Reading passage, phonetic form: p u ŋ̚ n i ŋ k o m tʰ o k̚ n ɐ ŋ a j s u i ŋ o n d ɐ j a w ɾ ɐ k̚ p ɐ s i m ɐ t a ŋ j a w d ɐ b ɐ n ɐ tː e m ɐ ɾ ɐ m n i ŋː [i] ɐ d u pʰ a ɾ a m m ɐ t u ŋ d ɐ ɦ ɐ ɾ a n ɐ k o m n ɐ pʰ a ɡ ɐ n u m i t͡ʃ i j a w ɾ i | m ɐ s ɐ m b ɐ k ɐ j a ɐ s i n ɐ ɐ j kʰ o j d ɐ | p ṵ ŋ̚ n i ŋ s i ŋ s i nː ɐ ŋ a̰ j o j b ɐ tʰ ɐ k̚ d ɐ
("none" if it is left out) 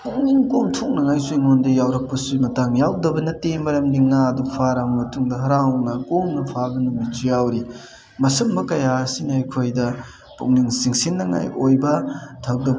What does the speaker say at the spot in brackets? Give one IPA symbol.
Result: a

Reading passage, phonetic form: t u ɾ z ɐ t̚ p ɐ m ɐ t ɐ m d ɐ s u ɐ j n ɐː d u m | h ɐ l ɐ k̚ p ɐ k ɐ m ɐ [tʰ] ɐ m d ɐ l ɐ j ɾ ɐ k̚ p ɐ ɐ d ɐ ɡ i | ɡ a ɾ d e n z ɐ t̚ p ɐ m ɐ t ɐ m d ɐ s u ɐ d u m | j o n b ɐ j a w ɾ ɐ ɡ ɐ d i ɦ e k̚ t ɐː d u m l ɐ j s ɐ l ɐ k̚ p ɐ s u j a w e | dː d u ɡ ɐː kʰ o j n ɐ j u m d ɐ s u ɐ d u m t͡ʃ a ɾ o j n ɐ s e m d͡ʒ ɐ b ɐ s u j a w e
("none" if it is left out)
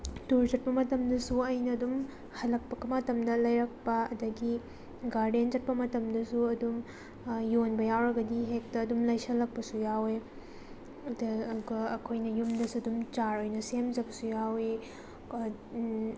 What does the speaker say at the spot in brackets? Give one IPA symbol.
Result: t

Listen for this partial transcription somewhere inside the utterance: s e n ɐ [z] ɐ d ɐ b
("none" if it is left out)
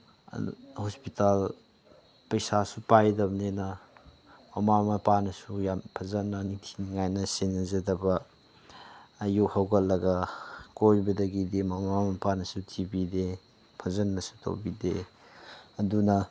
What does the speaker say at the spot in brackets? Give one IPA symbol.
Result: z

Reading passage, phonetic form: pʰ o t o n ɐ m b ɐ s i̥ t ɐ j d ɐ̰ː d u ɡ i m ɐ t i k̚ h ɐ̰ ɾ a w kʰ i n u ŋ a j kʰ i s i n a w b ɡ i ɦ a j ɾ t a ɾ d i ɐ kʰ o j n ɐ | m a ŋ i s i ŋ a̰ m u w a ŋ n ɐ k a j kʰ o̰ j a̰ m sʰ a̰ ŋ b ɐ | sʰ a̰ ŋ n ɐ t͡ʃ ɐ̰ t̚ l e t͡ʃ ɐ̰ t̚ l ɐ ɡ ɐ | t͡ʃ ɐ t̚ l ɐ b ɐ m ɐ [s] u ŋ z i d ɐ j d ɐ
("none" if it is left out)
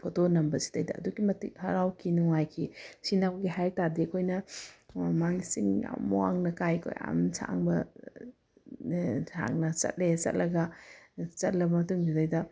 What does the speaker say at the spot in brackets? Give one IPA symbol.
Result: t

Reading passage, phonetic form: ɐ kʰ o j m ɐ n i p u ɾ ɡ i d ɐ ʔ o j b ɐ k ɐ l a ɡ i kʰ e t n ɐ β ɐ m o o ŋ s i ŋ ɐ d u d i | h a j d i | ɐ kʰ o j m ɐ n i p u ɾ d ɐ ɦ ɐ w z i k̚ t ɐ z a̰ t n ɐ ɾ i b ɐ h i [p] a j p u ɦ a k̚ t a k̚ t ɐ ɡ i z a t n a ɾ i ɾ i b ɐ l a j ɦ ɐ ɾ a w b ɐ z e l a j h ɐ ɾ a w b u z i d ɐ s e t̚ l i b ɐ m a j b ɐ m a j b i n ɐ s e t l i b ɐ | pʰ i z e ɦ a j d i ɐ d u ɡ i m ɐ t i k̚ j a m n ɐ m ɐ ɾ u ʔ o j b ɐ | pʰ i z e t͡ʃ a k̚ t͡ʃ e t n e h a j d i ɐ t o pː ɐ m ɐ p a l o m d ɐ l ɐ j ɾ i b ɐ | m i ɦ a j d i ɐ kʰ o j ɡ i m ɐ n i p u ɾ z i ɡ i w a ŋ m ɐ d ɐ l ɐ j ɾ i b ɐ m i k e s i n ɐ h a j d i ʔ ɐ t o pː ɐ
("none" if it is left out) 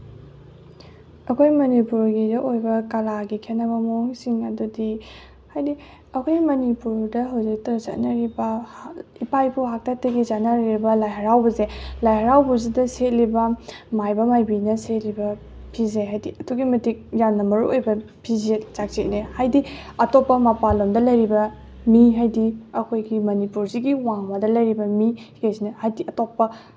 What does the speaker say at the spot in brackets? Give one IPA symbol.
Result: p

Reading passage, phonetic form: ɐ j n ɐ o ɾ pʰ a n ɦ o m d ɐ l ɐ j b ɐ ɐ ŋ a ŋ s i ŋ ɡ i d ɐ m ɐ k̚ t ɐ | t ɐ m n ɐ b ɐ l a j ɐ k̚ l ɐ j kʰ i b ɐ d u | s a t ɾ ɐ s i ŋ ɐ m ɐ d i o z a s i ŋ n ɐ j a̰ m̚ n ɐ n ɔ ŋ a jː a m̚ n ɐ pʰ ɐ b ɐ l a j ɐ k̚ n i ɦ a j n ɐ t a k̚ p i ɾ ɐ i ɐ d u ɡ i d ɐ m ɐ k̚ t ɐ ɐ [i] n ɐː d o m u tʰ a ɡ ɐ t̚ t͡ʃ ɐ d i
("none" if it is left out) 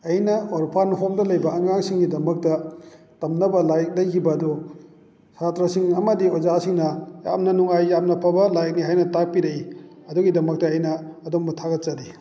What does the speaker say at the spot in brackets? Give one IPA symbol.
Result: j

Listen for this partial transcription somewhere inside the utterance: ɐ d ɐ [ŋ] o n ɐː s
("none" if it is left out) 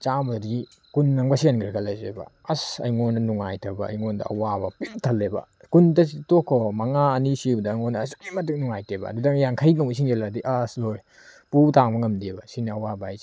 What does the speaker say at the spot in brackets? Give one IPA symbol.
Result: ŋ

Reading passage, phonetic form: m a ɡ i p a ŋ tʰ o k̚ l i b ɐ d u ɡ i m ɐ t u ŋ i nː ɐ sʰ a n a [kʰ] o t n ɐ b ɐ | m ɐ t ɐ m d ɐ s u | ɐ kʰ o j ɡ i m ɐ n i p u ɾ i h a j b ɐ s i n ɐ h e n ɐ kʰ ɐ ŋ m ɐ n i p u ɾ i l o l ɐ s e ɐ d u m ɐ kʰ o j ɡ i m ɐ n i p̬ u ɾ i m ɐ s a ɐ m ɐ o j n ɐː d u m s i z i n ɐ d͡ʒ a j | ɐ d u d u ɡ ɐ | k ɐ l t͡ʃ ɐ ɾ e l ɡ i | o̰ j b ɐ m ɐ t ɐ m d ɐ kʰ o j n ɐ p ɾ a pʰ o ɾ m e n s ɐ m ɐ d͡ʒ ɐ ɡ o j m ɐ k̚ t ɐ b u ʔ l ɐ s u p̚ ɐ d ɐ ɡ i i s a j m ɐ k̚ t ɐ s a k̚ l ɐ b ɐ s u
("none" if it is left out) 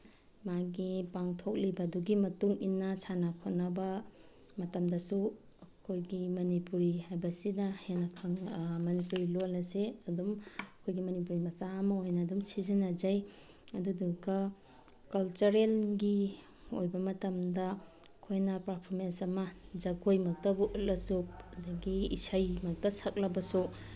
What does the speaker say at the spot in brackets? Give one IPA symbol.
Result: kʰ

